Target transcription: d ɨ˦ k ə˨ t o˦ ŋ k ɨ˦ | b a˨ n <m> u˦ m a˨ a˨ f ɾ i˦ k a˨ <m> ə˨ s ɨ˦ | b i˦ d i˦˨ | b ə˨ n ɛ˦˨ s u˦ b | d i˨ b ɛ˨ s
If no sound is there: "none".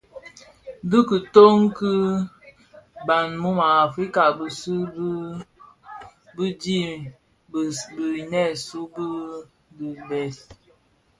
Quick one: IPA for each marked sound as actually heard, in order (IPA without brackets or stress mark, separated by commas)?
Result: m, b